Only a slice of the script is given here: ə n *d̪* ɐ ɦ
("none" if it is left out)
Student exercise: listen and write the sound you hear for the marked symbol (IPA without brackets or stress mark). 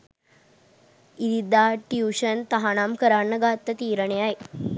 t̪